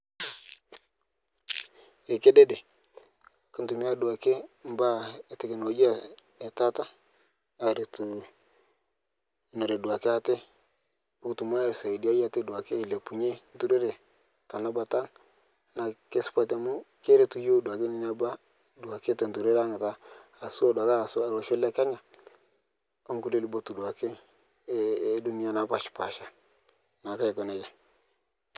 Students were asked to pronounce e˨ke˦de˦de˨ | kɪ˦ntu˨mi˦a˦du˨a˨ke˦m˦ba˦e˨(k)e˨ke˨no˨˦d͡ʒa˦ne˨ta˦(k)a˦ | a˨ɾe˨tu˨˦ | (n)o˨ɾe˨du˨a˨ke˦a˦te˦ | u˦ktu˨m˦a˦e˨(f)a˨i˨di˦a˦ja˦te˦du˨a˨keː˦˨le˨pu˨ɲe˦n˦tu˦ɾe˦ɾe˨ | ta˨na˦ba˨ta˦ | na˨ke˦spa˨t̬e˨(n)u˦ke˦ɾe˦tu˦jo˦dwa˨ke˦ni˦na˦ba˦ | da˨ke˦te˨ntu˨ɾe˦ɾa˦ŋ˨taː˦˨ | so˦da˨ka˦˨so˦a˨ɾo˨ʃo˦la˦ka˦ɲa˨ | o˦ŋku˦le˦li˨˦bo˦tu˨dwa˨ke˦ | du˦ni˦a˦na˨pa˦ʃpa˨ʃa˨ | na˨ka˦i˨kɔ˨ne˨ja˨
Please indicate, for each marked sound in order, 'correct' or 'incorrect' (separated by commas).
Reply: incorrect, incorrect, correct, incorrect, incorrect